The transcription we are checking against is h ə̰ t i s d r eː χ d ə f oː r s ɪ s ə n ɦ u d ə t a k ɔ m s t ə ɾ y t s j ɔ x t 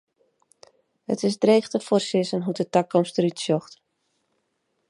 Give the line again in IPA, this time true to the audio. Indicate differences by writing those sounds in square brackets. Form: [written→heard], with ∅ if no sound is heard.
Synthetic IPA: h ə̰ t [i→ɪ] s d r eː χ [d→t] ə f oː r s ɪ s ə n ɦ u d ə t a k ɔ m s t ə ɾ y t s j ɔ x t